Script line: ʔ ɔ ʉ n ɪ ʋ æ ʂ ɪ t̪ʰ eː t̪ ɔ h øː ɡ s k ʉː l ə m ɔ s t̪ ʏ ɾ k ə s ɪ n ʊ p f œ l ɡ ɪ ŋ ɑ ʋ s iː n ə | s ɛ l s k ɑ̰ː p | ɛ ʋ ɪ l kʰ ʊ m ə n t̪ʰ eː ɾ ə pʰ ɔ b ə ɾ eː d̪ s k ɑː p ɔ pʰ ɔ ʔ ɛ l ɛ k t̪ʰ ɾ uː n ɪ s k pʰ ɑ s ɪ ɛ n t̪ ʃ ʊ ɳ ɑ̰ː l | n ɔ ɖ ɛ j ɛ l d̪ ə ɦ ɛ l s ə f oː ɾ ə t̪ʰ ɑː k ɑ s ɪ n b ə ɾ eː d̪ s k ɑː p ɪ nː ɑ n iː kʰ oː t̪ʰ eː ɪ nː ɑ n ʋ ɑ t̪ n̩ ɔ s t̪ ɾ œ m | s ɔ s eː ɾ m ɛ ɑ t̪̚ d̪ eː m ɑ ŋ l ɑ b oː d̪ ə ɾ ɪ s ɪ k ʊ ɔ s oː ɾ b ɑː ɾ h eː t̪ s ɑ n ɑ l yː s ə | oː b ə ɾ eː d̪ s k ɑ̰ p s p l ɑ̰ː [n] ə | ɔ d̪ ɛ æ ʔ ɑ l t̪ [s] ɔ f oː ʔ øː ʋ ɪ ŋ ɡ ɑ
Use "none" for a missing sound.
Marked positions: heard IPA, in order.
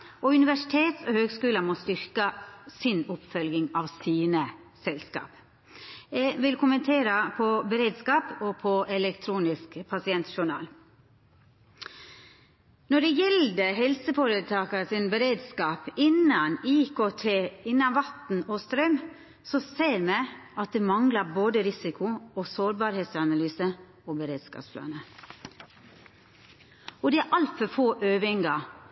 n, f

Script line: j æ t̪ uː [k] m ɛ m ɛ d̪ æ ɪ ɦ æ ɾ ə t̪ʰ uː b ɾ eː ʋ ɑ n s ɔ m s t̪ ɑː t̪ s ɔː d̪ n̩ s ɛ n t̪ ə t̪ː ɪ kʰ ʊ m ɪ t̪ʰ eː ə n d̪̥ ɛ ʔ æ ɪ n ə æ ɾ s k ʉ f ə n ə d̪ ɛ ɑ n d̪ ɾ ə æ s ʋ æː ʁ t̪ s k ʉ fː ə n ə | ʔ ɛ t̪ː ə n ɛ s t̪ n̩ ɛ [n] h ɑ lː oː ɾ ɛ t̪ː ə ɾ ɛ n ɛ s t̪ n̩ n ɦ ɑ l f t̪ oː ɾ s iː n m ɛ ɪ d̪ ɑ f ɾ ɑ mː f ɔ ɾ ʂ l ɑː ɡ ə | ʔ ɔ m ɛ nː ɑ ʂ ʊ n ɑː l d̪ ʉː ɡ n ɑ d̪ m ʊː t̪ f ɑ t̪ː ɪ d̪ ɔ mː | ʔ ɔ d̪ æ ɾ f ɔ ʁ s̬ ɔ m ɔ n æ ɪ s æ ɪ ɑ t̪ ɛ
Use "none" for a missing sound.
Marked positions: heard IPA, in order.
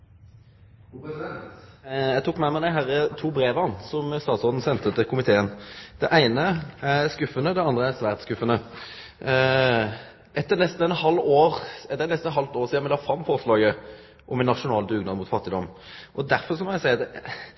k, n

